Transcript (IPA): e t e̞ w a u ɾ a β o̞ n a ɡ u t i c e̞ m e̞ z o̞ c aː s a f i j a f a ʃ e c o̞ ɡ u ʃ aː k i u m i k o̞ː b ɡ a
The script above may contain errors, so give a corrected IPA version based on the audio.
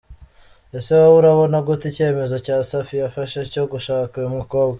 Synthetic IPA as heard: e s e̞ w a u ɾ a β o̞ n a ɡ u t i c e̞ m e̞ z o̞ c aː s a f i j a f a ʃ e c o̞ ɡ u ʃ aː k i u m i k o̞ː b ɡ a